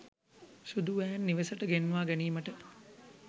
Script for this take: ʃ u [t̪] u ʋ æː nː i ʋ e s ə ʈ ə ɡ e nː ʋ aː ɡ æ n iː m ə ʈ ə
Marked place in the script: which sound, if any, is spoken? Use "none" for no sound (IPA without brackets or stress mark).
d̪